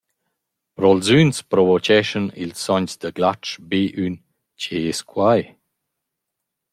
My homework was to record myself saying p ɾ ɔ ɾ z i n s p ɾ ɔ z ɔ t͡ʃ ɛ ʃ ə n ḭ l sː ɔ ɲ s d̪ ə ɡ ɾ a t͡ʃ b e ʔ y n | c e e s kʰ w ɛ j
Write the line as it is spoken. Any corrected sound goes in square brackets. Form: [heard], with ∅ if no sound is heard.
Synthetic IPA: p ɾ ɔ [l] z [y] n s p ɾ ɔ [v] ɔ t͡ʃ ɛ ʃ ə n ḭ l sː ɔ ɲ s d̪ ə ɡ [l] a t͡ʃ b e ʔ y n | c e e s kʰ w [a] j